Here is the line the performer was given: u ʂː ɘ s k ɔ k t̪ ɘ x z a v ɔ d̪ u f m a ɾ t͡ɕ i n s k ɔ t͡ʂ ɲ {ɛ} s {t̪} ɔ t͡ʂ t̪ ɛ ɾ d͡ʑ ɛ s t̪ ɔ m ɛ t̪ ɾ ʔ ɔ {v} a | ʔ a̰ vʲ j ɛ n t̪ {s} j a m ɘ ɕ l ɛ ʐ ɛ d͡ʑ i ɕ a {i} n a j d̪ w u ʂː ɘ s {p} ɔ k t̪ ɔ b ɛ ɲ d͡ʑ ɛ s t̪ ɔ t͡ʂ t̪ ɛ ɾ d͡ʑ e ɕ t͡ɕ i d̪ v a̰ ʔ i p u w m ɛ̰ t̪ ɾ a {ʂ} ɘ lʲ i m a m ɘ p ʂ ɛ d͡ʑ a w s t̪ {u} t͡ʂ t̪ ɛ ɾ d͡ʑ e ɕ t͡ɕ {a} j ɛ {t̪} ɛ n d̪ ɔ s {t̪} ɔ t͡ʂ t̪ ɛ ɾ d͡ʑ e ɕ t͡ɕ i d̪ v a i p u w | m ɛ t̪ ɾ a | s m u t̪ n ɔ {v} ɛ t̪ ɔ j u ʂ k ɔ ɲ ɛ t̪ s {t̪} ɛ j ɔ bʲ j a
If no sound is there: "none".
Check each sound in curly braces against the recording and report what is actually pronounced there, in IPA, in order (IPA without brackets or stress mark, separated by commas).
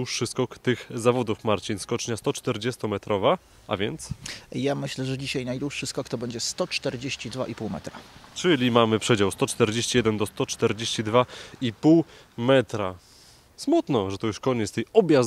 a, t̪, v, s, j, k, t͡ʂ, ɔ, i, d̪, t̪, ʐ, t̪